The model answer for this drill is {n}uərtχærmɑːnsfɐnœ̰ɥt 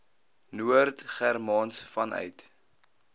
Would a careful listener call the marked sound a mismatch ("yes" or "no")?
no